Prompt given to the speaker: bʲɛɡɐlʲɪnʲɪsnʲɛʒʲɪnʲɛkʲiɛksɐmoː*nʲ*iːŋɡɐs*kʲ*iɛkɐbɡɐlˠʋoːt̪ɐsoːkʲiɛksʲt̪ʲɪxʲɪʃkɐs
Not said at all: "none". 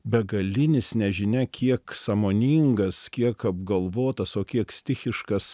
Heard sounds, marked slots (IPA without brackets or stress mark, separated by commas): nʲ, kʲ